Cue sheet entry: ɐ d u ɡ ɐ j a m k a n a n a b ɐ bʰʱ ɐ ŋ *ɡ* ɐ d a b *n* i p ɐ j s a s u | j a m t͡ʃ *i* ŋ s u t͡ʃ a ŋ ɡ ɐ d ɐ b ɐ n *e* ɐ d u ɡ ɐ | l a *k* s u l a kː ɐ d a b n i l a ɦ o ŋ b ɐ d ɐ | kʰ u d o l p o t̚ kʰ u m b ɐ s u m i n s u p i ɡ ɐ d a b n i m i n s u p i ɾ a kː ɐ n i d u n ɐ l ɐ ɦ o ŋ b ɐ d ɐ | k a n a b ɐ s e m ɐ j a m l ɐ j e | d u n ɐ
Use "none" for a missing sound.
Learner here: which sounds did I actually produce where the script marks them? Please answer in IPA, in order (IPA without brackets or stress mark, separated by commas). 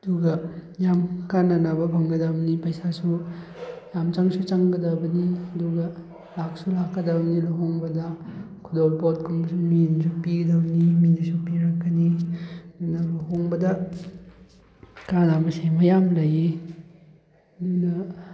ɡ, n, a, i, k